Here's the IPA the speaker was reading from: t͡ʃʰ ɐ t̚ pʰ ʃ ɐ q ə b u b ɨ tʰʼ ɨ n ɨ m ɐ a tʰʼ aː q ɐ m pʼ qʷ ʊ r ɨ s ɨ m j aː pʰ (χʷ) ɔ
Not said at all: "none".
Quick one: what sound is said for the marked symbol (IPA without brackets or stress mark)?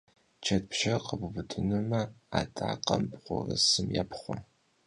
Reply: χʷ